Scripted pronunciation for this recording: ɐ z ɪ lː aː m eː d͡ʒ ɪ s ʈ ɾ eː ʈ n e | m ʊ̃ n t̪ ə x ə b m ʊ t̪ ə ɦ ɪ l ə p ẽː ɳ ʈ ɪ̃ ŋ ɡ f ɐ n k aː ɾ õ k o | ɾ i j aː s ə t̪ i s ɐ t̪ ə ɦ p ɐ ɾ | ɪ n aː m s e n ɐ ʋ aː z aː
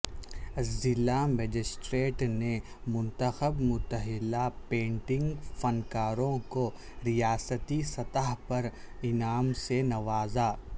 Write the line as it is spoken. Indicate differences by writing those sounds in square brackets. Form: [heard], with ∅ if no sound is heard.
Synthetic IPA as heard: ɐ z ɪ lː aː m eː d͡ʒ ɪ s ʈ ɾ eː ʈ n e | m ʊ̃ n t̪ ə x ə b m ʊ t̪ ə ɦ ɪ l [a] p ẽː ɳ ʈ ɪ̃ ŋ ɡ f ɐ n k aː ɾ õ k o | ɾ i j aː s ə t̪ i s ɐ t̪ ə ɦ p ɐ ɾ | ɪ n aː m s e n ɐ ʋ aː z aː